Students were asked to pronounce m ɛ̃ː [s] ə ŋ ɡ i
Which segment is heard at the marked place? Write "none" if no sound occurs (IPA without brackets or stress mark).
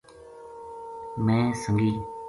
s